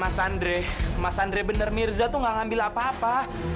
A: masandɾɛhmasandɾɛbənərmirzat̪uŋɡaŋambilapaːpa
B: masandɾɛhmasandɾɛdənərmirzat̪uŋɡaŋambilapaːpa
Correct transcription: A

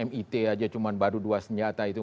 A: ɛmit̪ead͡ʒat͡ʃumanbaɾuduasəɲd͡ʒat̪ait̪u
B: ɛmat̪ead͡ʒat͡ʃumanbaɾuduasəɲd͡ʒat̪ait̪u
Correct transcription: A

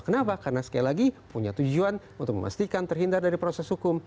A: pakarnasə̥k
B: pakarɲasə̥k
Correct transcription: A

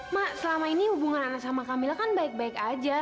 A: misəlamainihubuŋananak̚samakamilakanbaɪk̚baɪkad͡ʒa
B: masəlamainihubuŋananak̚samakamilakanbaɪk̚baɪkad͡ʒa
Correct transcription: B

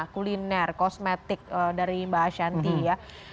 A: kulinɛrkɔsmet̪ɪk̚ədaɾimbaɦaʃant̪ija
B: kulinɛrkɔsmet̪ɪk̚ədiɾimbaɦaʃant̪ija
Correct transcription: A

